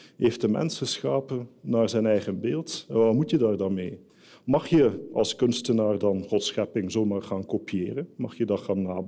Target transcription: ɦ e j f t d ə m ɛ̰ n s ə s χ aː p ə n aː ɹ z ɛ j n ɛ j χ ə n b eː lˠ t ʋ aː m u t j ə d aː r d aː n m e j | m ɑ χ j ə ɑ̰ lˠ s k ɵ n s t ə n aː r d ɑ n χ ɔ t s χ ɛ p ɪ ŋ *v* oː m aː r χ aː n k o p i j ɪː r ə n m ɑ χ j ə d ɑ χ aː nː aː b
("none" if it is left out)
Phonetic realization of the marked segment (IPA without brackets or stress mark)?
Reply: z